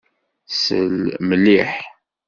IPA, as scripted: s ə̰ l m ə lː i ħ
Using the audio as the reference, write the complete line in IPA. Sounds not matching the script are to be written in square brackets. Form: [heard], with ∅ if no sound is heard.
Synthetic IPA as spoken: s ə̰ l m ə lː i ħ